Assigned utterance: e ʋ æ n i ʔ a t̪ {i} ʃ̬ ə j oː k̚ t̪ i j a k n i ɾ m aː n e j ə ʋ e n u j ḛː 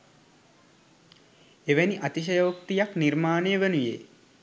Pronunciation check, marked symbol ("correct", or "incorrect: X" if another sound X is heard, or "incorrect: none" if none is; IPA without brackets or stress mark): correct